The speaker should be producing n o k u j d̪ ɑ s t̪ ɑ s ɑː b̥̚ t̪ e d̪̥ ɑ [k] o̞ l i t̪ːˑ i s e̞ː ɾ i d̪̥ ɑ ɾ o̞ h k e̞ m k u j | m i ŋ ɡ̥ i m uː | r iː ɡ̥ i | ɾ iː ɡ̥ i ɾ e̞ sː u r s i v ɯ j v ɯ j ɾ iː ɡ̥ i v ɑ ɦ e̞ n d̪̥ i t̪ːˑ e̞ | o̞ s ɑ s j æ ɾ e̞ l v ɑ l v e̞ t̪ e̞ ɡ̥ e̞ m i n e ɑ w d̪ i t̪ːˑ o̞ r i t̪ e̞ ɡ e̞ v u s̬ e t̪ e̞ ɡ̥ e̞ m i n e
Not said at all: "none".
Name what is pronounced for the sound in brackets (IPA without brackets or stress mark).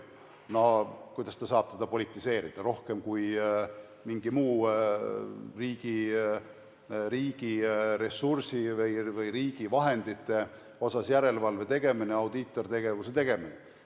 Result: p